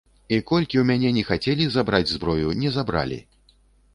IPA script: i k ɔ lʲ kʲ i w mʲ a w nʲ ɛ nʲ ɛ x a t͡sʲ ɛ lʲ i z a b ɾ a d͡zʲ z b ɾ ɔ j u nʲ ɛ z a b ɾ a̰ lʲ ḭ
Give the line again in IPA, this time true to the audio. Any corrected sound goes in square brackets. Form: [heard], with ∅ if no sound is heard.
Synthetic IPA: i k ɔ lʲ kʲ i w mʲ a [∅] nʲ ɛ nʲ ɛ x a t͡sʲ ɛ lʲ i z a b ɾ a d͡zʲ z b ɾ ɔ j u nʲ ɛ z a b ɾ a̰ lʲ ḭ

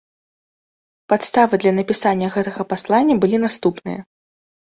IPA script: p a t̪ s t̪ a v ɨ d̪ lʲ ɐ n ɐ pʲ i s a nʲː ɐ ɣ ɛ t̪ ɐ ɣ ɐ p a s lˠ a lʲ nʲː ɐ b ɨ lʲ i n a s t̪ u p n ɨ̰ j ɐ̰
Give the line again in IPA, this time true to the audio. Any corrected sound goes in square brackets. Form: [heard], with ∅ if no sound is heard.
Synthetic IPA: p a t̪ s t̪ a v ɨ d̪ lʲ ɐ n ɐ pʲ i s a nʲː ɐ ɣ ɛ t̪ ɐ ɣ ɐ p a s lˠ a [∅] nʲː ɐ b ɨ lʲ i n a s t̪ u p n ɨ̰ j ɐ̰

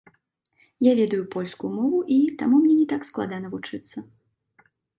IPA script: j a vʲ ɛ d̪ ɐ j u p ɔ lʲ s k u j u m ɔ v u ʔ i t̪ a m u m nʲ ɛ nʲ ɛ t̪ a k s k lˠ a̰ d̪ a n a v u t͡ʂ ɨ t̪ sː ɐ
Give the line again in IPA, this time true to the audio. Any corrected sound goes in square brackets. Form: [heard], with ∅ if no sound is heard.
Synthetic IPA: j a vʲ ɛ d̪ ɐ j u p ɔ lʲ s k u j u m ɔ v u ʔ i t̪ a m u m nʲ ɛ nʲ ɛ t̪ a k s k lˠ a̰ d̪ a n [ɐ] v u t͡ʂ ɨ t̪ sː ɐ

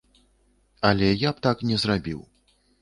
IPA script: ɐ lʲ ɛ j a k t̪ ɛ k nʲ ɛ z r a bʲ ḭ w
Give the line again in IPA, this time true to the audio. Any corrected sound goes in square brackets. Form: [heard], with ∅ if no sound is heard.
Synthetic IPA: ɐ lʲ ɛ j a [p] t̪ [a] k nʲ ɛ z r a bʲ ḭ w

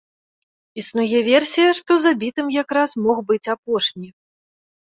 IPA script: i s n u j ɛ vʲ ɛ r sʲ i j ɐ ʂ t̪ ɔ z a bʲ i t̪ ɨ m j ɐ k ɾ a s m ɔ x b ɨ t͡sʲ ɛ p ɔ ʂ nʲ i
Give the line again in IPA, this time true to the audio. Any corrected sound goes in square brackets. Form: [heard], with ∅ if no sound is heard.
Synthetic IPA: i s n u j ɛ vʲ ɛ r sʲ i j ɐ ʂ t̪ ɔ z a bʲ i t̪ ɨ m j [a] k ɾ a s m ɔ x b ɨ t͡sʲ [a] p ɔ ʂ nʲ i

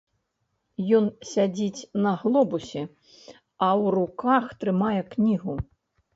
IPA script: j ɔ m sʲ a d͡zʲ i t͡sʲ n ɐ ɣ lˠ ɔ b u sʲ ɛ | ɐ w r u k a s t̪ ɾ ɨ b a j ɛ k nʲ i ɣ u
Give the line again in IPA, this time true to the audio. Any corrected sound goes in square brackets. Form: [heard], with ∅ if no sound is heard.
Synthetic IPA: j ɔ [n] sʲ a d͡zʲ i t͡sʲ n ɐ ɣ lˠ ɔ b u sʲ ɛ | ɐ w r u k a [x] t̪ ɾ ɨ [m] a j ɛ k nʲ i ɣ u

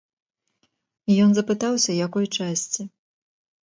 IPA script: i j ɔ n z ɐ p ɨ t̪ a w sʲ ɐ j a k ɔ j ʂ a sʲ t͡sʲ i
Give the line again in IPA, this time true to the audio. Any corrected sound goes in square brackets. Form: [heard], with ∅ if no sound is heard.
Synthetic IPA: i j ɔ n z ɐ p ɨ t̪ a w sʲ ɐ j a k ɔ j [t͡ʂ] a sʲ t͡sʲ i

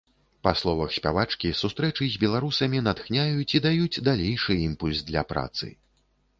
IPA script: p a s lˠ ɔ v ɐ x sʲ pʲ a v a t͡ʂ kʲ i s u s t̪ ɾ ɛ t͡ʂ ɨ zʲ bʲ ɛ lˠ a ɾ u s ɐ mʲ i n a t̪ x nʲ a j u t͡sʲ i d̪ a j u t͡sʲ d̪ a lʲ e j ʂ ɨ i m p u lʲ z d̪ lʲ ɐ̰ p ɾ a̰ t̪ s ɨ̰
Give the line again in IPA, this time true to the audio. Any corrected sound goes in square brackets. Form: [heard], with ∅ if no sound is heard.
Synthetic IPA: p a s lˠ ɔ v ɐ x sʲ pʲ a v a t͡ʂ kʲ i s u s t̪ ɾ ɛ t͡ʂ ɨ zʲ bʲ ɛ lˠ a ɾ u s ɐ mʲ i n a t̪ x nʲ a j u t͡sʲ i d̪ a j u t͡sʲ d̪ a lʲ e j ʂ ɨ i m p u lʲ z d̪ lʲ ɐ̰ p ɾ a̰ t̪ s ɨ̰

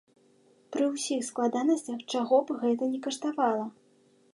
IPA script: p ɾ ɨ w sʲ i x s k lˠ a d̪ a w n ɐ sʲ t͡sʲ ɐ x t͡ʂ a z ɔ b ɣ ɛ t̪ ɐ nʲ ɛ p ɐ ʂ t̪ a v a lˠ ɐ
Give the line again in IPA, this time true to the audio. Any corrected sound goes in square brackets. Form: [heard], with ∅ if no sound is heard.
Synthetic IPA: p ɾ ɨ w sʲ i x s k lˠ a d̪ a [∅] n ɐ sʲ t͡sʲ ɐ x t͡ʂ a [ɣ] ɔ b ɣ ɛ t̪ ɐ nʲ ɛ [k] ɐ ʂ t̪ a v a lˠ ɐ

